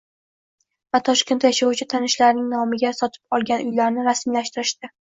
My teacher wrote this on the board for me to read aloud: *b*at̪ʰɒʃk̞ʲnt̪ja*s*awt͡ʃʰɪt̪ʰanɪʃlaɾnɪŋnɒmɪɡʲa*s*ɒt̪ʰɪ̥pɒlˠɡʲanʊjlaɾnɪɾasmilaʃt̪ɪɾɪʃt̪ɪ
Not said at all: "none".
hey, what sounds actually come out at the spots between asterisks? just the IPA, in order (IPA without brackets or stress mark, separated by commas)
v, ʃ, s